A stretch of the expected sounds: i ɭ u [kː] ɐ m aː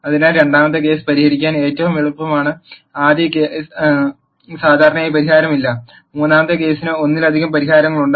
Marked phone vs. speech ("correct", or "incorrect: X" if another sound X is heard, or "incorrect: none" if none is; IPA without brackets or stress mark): incorrect: pː